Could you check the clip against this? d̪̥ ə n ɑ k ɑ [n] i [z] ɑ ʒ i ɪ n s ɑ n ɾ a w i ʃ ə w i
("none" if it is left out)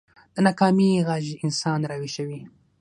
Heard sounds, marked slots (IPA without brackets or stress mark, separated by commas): m, ɣ